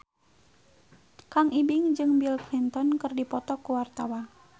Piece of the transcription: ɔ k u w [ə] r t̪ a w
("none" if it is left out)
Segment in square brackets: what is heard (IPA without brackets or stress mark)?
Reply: a